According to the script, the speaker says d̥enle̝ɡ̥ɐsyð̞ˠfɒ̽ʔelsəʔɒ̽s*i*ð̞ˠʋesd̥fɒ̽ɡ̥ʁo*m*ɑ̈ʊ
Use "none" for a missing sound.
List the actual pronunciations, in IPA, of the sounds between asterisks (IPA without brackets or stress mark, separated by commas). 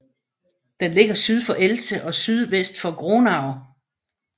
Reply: y, n